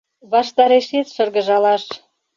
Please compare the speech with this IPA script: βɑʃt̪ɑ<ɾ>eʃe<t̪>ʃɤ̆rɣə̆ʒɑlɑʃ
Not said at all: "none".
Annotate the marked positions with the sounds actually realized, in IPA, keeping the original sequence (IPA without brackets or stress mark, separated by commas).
ɾ, t̪